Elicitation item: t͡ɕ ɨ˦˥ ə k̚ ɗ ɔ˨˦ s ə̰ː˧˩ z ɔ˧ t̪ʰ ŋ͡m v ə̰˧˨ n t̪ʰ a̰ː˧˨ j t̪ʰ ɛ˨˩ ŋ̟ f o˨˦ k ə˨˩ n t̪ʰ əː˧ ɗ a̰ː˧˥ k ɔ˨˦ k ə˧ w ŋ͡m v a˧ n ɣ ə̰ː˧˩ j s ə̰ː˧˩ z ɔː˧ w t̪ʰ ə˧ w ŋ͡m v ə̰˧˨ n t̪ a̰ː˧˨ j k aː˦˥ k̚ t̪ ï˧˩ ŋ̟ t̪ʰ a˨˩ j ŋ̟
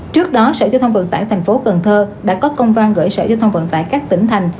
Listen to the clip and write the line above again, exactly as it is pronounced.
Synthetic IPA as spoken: t͡ɕ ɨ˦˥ ə k̚ ɗ ɔ˨˦ s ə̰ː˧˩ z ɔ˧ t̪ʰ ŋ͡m v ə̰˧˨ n t̪ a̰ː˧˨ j t̪ʰ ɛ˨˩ ŋ̟ f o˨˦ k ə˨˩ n t̪ʰ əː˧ ɗ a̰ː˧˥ k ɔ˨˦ k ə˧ w ŋ͡m v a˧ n ɣ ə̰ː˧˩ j s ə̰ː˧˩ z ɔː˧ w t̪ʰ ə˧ w ŋ͡m v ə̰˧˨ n t̪ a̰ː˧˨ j k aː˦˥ k̚ t̪ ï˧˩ ŋ̟ t̪ʰ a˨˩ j ŋ̟